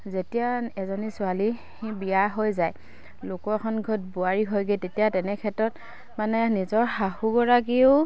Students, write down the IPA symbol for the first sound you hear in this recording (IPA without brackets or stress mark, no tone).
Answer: z